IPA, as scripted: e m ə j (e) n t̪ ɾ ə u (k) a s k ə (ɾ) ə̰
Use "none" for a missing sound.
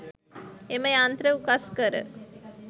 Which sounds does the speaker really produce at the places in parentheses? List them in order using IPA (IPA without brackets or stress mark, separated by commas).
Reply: a, k, ɾ